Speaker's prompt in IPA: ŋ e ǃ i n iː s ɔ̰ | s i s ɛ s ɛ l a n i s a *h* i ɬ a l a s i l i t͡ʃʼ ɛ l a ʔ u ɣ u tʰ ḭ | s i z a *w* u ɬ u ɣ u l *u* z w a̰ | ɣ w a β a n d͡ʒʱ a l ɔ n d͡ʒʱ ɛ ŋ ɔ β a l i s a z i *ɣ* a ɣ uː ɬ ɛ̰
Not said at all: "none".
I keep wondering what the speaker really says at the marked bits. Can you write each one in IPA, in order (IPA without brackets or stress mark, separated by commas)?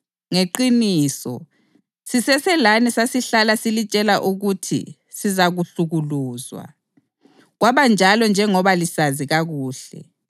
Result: s, ɣ, uː, ɣ